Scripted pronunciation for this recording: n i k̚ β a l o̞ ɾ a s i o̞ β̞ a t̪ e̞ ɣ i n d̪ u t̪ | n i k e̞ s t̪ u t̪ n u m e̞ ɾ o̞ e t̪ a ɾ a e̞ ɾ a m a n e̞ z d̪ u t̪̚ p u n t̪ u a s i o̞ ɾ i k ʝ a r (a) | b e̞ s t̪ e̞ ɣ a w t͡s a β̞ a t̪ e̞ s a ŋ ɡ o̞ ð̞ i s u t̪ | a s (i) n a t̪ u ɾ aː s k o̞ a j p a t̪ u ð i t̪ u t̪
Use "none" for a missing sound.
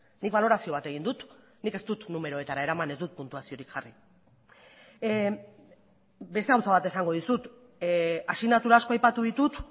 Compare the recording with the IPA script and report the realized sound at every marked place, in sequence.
i, i

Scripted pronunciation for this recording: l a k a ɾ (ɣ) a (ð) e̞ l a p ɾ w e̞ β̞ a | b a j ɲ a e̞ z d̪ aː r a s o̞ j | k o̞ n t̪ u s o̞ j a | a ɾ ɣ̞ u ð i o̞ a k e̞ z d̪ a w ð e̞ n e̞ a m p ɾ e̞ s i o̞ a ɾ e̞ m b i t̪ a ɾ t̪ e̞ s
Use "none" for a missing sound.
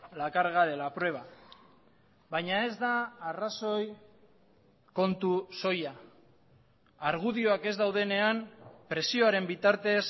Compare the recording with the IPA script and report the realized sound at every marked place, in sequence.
ɣ, ð

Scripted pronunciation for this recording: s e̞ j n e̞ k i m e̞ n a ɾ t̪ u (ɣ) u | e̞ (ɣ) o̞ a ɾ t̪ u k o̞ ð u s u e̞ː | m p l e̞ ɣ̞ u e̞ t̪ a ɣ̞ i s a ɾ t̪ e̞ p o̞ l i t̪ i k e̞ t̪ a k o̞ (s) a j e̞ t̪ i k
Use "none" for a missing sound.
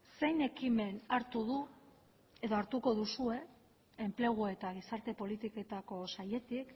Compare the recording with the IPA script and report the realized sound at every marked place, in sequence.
ð, ð, s

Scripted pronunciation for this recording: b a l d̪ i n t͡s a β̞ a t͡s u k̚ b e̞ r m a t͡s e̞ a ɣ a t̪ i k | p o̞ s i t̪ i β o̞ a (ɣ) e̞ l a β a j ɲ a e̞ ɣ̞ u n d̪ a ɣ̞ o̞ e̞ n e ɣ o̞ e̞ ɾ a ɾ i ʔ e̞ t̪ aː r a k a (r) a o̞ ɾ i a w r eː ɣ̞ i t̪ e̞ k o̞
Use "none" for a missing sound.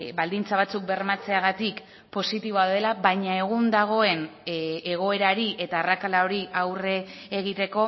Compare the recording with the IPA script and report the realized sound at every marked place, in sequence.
ð, l

